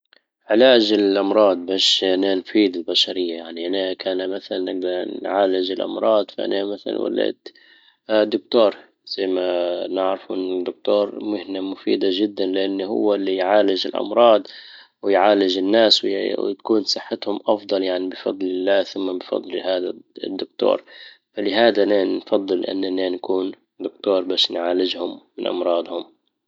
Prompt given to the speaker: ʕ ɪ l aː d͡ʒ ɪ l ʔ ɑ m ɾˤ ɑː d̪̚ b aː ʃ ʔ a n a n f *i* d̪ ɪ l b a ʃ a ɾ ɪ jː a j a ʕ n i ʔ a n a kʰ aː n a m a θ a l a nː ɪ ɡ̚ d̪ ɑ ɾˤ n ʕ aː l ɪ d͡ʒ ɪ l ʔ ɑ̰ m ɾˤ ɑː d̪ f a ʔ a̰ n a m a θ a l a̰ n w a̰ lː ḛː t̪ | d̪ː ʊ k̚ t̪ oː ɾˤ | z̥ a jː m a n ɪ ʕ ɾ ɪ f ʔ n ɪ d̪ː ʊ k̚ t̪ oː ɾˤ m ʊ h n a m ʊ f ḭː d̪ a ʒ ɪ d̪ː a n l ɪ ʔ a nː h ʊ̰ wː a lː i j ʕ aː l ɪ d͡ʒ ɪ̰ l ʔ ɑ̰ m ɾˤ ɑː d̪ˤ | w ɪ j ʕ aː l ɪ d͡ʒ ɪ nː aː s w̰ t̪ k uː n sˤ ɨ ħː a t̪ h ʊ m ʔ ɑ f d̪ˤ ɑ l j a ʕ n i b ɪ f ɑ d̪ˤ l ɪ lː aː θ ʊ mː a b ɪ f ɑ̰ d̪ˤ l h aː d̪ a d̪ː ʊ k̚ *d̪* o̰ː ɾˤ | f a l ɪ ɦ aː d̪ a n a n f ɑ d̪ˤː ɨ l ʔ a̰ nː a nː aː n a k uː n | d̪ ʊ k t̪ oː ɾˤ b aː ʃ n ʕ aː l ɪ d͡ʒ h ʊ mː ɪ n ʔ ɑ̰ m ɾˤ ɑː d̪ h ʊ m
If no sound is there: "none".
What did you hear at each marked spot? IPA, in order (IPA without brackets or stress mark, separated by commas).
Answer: iː, t̪